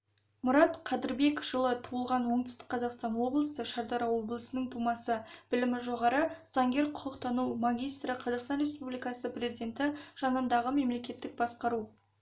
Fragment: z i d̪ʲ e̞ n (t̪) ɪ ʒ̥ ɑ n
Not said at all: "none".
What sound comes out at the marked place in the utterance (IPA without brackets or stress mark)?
t̪